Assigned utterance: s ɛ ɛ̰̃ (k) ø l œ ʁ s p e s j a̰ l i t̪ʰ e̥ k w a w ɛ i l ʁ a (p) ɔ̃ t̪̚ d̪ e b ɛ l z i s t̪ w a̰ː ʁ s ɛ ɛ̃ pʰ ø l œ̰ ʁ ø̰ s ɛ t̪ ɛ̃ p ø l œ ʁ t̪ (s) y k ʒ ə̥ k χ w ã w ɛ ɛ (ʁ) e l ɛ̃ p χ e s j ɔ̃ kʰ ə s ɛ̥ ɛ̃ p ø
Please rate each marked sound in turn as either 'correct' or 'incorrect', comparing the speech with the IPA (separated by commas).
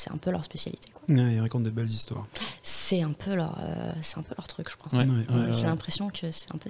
incorrect, incorrect, incorrect, incorrect